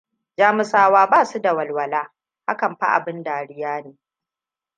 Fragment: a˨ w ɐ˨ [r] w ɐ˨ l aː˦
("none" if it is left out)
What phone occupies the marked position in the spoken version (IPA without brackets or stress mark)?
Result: l